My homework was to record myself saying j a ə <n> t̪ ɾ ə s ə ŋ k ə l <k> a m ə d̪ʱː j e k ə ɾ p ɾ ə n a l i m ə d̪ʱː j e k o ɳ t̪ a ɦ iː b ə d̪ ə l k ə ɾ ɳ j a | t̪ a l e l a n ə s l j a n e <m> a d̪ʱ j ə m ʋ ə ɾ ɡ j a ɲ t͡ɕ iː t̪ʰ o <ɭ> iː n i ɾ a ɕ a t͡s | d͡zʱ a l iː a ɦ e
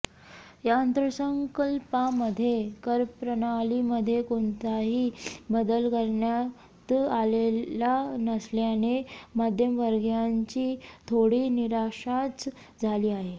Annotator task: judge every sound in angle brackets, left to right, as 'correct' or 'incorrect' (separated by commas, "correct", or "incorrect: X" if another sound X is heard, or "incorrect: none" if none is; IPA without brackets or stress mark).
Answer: correct, incorrect: p, correct, incorrect: ɽ